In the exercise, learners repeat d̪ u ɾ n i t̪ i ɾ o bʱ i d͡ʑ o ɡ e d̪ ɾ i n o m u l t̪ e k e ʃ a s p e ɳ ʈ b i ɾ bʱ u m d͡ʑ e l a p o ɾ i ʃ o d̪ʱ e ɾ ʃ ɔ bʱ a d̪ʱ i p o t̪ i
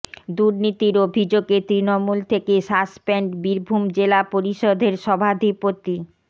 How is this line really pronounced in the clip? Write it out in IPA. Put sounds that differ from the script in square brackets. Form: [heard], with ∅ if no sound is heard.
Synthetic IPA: d̪ u ɾ n i t̪ i ɾ o bʱ i d͡ʑ o ɡ e [t̪] ɾ i n o m u l [t̪ʰ] e k e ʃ a s p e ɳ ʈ b i ɾ bʱ u m d͡ʑ e l a p o ɾ i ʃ o d̪ʱ e ɾ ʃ ɔ bʱ a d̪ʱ i p o t̪ i